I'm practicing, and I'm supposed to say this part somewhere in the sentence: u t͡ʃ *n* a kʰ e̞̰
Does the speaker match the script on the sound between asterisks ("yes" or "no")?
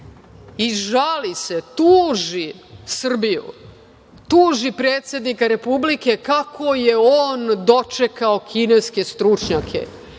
no